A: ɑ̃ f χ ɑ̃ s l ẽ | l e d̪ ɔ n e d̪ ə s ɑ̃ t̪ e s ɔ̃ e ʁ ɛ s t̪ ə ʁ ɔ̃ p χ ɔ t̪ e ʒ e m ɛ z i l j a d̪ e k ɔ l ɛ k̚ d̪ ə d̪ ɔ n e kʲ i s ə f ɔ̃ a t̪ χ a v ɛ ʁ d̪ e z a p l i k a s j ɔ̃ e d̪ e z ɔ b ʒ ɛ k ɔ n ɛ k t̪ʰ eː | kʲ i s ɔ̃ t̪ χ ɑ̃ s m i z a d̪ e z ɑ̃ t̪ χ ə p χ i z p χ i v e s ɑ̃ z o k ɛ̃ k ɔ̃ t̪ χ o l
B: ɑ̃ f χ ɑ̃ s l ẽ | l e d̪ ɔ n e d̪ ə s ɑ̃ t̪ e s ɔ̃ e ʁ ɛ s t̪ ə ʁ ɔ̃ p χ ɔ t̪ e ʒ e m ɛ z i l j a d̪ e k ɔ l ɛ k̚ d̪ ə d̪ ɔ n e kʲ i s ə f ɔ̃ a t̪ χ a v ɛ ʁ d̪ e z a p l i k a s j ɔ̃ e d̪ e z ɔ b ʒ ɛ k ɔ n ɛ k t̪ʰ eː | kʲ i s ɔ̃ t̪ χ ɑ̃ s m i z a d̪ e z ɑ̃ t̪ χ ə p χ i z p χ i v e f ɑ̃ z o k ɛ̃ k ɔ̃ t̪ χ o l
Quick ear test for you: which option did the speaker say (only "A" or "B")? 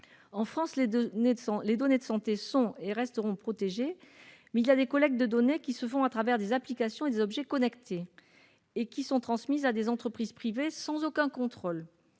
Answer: A